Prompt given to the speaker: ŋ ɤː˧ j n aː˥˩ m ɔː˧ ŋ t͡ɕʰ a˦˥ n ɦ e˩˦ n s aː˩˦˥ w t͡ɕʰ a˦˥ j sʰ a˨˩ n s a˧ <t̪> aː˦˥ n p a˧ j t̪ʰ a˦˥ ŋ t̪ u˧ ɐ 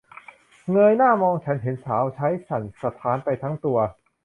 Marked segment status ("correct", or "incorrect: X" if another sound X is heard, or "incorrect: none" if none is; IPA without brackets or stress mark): incorrect: t̪ʰ